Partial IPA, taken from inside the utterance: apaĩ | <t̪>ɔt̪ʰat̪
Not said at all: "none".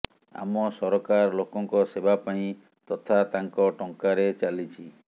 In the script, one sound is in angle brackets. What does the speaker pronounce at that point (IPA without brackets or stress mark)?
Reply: t̪